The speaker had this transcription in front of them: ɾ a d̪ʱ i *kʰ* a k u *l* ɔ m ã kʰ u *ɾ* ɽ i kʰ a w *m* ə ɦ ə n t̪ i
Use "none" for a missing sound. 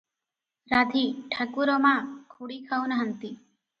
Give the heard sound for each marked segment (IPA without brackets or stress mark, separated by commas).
ʈʰ, ɾ, none, n